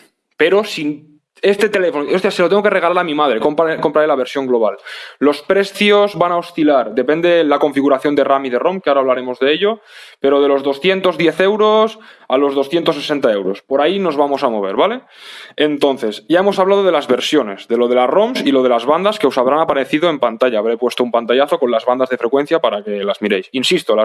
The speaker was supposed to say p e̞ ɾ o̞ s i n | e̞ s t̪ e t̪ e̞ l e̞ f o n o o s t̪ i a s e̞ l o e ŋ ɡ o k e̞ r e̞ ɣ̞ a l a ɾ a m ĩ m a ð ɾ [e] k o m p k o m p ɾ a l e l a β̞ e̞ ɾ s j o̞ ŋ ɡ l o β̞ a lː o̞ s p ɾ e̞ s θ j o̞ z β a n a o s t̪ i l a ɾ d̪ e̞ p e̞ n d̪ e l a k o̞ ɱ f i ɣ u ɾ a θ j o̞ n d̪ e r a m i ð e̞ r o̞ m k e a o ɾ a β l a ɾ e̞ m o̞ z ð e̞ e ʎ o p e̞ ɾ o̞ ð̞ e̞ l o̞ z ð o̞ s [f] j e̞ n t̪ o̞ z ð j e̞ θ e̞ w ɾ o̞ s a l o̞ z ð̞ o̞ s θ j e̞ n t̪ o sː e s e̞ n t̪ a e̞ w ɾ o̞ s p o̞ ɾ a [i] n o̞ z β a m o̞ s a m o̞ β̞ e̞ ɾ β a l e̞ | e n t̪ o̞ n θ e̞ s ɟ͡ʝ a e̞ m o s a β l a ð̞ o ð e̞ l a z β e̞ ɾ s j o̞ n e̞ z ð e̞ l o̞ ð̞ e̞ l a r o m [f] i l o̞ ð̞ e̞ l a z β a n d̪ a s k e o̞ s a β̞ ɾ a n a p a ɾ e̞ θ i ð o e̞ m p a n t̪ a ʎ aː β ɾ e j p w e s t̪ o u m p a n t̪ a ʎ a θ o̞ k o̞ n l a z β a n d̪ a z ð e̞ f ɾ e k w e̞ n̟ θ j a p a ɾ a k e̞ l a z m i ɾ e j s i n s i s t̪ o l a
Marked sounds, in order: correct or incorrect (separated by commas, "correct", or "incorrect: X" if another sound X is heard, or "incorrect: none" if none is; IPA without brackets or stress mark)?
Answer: correct, incorrect: θ, correct, incorrect: s